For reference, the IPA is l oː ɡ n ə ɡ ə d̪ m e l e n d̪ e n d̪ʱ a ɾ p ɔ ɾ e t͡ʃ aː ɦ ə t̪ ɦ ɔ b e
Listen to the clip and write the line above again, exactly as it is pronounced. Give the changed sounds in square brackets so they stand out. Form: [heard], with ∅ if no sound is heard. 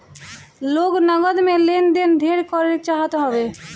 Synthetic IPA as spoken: l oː ɡ n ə ɡ ə d̪ m e l e n d̪ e n d̪ʱ [e] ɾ [k] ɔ ɾ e t͡ʃ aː ɦ ə t̪ ɦ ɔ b e